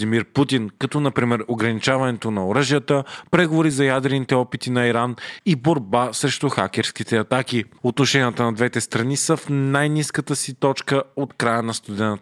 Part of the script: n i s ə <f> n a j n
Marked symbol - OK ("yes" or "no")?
yes